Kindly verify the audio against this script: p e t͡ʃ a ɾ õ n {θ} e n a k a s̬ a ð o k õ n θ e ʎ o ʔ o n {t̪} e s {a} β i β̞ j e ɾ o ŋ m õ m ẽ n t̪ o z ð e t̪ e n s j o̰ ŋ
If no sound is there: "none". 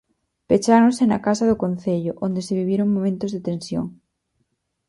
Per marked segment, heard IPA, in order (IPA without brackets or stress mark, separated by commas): s, d̪, e